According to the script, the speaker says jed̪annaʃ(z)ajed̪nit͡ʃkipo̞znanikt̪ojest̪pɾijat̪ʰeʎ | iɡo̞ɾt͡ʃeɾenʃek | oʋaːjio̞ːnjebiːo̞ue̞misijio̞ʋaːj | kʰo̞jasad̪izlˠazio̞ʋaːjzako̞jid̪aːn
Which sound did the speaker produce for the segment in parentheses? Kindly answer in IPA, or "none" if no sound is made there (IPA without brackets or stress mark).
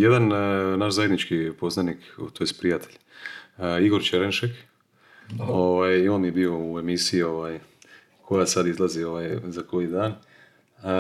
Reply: z